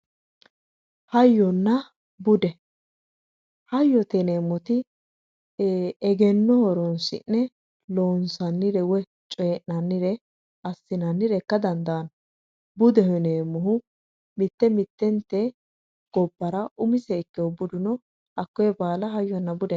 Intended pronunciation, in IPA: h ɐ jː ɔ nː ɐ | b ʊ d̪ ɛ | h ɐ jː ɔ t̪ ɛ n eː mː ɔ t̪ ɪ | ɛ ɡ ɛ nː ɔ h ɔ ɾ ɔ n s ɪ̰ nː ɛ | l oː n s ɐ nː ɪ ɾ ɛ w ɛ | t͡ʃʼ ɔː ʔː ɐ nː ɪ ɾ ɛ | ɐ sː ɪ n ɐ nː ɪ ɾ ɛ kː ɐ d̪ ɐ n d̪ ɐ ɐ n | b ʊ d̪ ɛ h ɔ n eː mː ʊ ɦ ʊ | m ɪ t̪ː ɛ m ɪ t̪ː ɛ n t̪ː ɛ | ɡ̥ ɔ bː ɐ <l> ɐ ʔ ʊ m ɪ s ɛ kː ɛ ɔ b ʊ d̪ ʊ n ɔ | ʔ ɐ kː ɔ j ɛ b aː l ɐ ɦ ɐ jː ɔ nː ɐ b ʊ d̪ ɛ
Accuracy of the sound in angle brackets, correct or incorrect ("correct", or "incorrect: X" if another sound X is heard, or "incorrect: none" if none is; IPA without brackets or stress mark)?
incorrect: ɾ